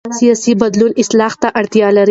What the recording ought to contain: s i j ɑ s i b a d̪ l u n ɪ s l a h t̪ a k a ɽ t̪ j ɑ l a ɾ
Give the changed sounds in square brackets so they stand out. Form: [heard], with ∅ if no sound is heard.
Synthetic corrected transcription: s i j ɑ s i b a d̪ l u n ɪ s l [ɑ] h t̪ a [ʔ] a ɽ t̪ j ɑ l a ɾ